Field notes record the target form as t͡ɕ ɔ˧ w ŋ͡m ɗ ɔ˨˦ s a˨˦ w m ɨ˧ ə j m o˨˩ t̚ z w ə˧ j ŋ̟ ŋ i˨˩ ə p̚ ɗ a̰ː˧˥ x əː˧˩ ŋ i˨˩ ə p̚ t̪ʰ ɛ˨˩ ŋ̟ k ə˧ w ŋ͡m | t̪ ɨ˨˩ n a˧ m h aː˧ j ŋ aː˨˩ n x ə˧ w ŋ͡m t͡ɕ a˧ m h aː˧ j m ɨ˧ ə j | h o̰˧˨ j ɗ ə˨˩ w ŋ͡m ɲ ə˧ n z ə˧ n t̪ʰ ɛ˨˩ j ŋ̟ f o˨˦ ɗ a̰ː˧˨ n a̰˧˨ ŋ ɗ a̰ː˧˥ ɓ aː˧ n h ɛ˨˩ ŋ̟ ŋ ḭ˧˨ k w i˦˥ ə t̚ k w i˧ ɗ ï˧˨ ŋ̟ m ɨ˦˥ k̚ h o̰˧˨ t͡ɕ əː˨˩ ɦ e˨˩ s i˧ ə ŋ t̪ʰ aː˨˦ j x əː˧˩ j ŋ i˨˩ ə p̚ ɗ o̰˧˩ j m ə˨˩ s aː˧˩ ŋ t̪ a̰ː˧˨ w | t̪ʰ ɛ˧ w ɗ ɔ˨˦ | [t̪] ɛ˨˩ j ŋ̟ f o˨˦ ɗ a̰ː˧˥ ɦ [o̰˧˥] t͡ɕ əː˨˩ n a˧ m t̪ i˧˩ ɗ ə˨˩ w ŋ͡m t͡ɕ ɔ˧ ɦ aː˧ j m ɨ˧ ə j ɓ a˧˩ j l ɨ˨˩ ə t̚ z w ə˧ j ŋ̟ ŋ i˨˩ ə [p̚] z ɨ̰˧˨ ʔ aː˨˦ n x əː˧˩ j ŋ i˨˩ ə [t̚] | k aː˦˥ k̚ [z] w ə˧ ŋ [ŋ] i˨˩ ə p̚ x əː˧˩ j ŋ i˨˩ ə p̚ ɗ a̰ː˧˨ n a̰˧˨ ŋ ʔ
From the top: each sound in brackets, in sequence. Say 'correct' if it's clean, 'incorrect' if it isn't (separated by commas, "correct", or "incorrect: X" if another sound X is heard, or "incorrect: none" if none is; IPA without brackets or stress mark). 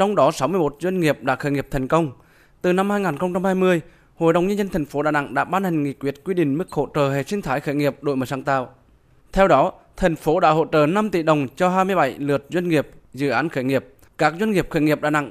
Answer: incorrect: t̪ʰ, incorrect: o̰˧˨, correct, incorrect: p̚, correct, correct